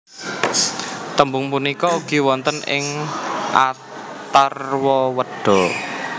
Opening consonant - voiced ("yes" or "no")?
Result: no